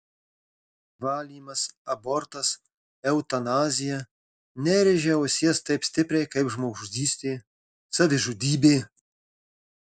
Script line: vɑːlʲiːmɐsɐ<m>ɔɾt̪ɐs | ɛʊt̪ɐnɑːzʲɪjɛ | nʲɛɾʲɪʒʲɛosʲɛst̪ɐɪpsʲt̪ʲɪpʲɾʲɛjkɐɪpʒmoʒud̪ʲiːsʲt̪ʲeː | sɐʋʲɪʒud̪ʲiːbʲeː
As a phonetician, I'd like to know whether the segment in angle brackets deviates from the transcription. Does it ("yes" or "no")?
yes